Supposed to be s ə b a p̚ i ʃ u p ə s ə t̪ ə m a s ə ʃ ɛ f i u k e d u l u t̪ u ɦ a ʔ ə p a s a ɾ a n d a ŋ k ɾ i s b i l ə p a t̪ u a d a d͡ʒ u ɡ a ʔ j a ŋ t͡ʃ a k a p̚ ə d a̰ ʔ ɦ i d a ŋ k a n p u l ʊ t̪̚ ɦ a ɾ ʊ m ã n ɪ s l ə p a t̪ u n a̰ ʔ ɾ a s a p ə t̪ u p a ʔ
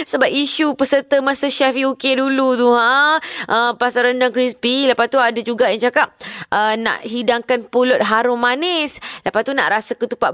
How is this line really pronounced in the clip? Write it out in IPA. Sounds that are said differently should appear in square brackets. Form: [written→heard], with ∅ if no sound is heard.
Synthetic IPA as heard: s ə b a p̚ i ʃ u p ə s ə t̪ ə m a s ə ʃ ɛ f i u k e d u l u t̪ u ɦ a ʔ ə p a s a ɾ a n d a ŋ k ɾ i s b i l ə p a t̪ u a d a d͡ʒ u ɡ a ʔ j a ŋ t͡ʃ a k a p̚ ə [d→n] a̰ ʔ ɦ i d a ŋ k a n p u l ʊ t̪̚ ɦ a ɾ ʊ m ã n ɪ s l ə p a t̪ u n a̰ ʔ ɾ a s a [p→k] ə t̪ u p a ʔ